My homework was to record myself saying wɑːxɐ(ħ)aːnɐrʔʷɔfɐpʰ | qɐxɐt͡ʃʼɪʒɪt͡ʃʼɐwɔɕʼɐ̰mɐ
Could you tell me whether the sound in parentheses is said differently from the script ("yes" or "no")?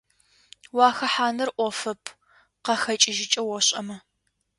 no